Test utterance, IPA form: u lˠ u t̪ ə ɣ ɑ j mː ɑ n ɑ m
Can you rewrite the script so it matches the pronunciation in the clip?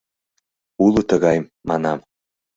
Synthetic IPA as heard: u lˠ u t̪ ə ɣ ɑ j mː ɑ n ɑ m